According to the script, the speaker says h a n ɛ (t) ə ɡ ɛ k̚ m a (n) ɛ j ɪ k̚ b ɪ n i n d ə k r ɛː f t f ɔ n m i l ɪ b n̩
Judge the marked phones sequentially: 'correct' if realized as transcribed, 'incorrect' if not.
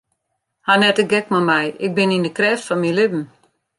correct, incorrect

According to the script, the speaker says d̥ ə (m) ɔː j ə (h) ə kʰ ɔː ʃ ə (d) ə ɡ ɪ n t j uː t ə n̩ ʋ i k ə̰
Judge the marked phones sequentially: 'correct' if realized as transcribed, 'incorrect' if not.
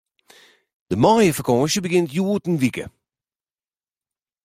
correct, incorrect, incorrect

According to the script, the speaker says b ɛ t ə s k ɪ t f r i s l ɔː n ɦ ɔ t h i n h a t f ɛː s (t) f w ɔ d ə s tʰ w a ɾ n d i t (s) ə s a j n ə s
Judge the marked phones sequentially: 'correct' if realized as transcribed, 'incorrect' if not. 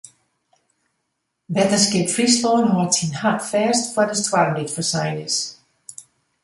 correct, incorrect

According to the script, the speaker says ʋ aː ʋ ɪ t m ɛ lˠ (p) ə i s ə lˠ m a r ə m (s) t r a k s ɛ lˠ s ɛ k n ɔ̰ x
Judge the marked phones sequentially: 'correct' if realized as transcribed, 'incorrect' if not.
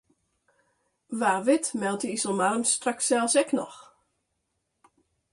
incorrect, correct

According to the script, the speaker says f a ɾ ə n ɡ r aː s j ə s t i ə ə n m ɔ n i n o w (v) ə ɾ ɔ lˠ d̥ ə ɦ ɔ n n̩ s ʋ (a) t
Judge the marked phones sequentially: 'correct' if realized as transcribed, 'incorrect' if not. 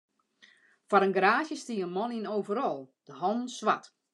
correct, correct

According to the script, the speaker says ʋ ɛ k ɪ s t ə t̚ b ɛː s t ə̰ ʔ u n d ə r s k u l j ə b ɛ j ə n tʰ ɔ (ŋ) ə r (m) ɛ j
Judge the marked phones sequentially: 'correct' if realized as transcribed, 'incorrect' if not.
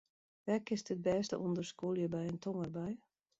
correct, incorrect

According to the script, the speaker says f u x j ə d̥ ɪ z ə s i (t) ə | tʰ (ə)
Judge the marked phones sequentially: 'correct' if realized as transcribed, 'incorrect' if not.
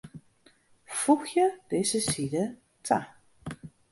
incorrect, incorrect

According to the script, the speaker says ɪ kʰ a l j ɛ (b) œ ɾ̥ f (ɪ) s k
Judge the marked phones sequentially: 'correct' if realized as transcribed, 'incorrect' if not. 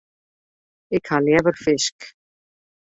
incorrect, correct

